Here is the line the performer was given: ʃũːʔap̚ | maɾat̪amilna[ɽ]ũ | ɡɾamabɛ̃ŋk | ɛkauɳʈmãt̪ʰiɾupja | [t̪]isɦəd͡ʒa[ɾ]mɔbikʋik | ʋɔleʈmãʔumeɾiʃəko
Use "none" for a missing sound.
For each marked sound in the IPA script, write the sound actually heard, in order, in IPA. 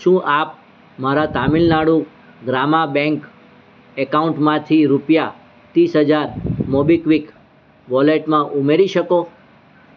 ɽ, t̪, ɾ

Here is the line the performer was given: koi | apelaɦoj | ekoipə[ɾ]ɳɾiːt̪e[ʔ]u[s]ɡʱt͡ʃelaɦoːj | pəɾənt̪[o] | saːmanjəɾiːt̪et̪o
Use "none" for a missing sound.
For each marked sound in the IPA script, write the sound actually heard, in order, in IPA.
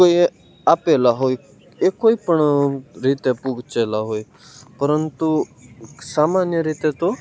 none, p, none, u

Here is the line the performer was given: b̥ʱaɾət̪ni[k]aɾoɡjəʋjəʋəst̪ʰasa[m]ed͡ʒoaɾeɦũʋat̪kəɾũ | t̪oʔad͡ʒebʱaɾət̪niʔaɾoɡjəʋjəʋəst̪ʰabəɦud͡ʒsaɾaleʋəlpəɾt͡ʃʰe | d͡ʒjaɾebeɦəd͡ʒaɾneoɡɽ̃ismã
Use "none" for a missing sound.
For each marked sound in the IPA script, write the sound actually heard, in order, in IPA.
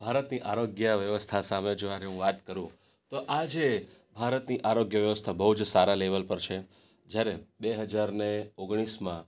ʔ, m

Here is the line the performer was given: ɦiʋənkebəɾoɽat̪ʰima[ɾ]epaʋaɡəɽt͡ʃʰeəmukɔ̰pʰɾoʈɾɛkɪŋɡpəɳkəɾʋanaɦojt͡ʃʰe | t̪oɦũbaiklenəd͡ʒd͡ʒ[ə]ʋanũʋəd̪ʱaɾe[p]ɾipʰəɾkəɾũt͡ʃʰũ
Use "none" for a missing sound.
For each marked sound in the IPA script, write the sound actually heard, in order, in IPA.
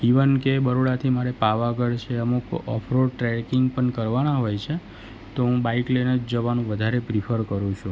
ɾ, ə, p

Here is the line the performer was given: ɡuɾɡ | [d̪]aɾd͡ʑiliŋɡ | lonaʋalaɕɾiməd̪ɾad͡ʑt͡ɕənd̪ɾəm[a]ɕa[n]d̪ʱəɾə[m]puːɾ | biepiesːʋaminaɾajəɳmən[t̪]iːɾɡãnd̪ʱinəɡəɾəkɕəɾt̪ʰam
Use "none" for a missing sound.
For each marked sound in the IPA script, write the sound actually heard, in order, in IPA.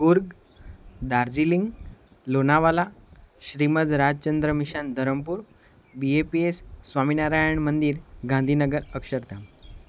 d̪, i, n, m, d̪

